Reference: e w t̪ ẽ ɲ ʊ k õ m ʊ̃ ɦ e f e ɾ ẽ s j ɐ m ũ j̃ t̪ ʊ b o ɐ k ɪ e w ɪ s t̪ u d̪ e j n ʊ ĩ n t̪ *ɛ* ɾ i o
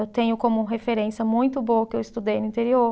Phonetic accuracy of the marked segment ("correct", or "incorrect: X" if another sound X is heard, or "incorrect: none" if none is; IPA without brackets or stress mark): incorrect: e